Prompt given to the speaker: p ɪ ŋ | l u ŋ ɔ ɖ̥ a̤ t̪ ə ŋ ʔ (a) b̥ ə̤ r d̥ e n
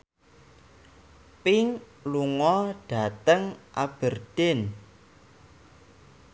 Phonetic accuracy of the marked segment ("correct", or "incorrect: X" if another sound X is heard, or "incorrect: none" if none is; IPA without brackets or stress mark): correct